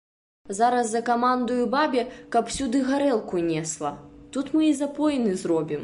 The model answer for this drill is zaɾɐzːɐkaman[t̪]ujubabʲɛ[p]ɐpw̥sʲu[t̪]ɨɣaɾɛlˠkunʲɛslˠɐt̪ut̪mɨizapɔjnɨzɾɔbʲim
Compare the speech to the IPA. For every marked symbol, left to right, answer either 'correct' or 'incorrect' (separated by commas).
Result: incorrect, incorrect, incorrect